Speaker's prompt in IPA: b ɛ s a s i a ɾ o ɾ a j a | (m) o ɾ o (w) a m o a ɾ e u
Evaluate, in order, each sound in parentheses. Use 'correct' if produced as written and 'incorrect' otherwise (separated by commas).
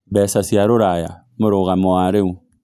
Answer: correct, incorrect